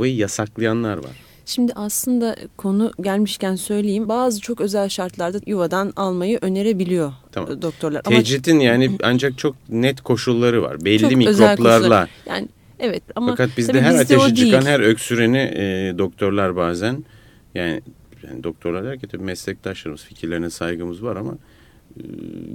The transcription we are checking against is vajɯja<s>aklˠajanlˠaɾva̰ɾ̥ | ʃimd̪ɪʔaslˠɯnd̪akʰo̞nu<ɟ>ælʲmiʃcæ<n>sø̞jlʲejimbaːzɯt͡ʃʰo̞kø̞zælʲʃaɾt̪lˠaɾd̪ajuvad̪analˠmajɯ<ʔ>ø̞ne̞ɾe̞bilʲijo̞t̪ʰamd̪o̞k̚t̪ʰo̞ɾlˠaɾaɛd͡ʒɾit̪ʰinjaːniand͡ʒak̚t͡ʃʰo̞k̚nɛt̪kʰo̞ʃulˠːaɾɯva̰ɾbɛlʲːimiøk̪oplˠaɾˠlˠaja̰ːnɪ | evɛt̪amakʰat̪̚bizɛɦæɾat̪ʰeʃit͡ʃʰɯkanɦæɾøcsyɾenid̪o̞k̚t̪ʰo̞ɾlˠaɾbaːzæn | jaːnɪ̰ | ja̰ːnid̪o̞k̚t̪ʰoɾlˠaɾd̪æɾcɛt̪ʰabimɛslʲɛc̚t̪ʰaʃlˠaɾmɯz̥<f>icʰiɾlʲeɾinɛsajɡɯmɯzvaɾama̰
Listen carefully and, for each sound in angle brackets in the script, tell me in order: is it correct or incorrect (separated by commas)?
correct, correct, correct, correct, correct